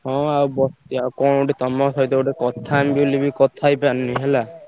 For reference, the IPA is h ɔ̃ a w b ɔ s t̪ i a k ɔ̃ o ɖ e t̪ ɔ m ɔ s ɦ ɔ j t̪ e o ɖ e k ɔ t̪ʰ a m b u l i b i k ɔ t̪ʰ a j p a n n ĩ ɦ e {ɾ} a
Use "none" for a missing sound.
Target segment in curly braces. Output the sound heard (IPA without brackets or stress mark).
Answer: l